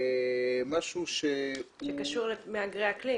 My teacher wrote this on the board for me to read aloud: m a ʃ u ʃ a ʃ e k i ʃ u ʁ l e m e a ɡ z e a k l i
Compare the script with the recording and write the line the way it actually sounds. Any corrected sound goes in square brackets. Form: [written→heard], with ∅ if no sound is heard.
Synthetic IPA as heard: m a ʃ u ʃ [a→e] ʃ e k [i→a] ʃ u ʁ l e m e a ɡ [z→ʁ] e a k l i

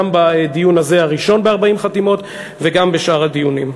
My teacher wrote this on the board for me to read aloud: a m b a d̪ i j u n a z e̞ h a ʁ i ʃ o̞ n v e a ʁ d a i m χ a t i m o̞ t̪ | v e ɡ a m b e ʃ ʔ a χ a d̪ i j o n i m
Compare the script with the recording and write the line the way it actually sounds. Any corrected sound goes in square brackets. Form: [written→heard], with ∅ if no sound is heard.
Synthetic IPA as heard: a m b a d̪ i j u n a z e̞ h a ʁ i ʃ o̞ n [v→b] e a ʁ [d→b] a i m χ a t i m o̞ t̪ | v e ɡ a m b e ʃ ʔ a [χ→ʁ] a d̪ i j [o→u] n i m

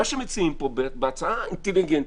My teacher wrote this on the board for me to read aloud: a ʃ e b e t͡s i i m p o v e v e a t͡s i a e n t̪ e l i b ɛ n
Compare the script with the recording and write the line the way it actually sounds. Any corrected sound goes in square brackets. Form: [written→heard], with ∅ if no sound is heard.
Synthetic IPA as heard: a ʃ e [b→m] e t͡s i i m p o [v→b] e [v→b] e a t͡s [i→a] a [e→i] n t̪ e l i [b→ɡ] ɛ n

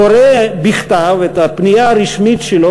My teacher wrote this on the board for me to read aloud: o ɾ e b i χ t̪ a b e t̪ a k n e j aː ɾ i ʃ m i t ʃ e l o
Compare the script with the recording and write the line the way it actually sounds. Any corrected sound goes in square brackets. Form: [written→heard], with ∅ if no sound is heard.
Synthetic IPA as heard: o ɾ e b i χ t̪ a [b→v] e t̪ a [k→p] n [e→i] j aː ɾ i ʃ m i t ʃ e l o

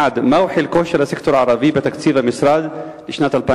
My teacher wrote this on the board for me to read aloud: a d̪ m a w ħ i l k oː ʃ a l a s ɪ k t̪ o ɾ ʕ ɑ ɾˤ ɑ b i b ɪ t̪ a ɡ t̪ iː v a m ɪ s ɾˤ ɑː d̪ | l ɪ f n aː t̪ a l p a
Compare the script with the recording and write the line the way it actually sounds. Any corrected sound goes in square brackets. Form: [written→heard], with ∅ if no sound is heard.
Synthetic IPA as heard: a d̪ m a w ħ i l k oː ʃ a l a s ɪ k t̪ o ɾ ʕ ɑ ɾˤ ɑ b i b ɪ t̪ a [ɡ→k] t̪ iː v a m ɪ s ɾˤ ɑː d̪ | l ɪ [f→ʃ] n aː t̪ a l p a

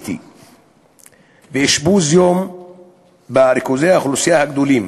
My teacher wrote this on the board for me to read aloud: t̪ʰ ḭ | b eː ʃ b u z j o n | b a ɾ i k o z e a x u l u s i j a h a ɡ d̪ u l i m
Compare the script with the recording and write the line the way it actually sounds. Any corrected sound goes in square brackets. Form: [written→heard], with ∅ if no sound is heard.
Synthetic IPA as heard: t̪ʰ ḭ | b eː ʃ b u z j o [n→m] | b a ɾ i k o z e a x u l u s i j a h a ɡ d̪ u l i m

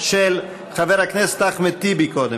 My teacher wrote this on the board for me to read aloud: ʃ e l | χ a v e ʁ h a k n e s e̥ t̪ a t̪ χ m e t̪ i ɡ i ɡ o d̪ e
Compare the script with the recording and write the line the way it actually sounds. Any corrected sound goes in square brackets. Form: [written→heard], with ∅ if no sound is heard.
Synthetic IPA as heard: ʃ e l | χ a v e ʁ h a k n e s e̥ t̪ a [t̪→∅] χ m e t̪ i [ɡ→b] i [ɡ→k] o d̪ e

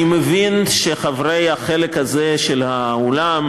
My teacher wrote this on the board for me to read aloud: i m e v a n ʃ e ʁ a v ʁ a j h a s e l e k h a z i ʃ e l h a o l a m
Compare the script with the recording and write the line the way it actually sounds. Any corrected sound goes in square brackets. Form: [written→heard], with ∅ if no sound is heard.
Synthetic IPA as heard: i m e v [a→i] n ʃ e [ʁ→χ] a v ʁ [a→e] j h a [s→χ] e l e k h a z [i→e] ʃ e l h a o l a m

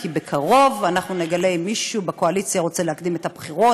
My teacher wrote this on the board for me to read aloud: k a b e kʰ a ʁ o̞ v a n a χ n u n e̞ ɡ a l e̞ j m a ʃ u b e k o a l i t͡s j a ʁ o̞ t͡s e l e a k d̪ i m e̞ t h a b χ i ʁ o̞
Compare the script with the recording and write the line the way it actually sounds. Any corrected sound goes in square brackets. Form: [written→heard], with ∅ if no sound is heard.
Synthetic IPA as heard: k [a→i] b e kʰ a ʁ o̞ v a n a χ n u n e̞ ɡ a l e̞ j m [a→i] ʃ u b e k o a l i t͡s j a ʁ o̞ t͡s e l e a k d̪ i m e̞ t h a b χ i ʁ o̞

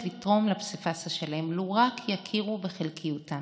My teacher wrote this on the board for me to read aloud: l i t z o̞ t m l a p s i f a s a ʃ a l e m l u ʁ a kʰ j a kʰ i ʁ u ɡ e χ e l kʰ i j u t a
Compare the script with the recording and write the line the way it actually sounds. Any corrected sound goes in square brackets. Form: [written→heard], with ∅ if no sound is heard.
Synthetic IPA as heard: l i t [z→ʁ] o̞ [t→∅] m l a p s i f a s a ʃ a l e m l u ʁ a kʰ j a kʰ i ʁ u [ɡ→b] e χ e l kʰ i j u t a

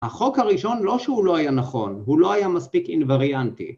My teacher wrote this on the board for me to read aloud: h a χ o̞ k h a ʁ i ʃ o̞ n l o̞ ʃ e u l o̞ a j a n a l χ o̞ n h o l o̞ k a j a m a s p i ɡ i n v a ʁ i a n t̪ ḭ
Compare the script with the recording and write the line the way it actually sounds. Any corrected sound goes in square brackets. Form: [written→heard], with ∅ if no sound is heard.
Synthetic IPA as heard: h a χ o̞ k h a ʁ i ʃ o̞ n l o̞ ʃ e u l o̞ a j a n a [l→∅] χ o̞ n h [o→u] l o̞ [k→∅] a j a m a s p i [ɡ→k] i n v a ʁ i a n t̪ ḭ

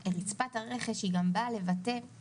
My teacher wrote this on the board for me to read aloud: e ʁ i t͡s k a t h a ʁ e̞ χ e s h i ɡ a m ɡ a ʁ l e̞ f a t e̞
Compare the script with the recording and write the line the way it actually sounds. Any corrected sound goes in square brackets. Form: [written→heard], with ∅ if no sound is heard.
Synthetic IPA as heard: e ʁ i t͡s [k→p] a t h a ʁ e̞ χ e [s→ʃ] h i ɡ a m [ɡ→b] a [ʁ→∅] l e̞ [f→v] a t e̞

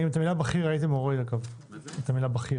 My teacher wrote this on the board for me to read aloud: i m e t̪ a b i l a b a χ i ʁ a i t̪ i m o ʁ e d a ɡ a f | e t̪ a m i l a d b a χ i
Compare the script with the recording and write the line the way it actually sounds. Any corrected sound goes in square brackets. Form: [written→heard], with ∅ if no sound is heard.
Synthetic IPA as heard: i m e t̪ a [b→m] i l a b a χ i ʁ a i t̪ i m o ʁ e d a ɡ a [f→v] | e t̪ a m i l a [d→∅] b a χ i

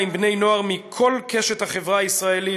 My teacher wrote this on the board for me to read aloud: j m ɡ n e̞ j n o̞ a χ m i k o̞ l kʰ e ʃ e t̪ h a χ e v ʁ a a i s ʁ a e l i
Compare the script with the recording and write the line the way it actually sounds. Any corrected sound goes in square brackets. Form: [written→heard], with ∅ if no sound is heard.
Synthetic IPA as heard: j m [ɡ→b] n e̞ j n o̞ a [χ→ʁ] m i [k→kʰ] o̞ l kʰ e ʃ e t̪ h a χ e v ʁ a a i s ʁ a e l i

